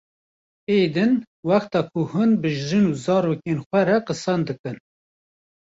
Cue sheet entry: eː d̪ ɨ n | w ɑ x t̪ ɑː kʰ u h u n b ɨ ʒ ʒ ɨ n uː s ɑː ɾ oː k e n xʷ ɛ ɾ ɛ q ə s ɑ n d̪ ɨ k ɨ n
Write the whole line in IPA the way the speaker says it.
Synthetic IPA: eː d̪ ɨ n | w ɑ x t̪ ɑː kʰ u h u n b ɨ ʒ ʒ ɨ n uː z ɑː ɾ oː k e n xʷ ɛ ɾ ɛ q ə s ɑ n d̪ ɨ k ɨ n